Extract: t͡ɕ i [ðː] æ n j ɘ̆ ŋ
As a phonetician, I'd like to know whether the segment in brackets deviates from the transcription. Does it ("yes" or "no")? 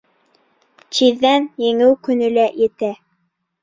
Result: no